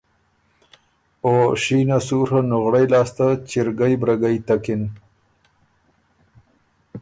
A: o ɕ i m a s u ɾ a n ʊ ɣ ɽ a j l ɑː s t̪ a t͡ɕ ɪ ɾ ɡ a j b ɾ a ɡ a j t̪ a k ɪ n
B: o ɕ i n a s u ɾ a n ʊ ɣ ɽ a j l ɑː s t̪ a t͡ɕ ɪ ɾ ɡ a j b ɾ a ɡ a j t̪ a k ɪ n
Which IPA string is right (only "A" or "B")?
B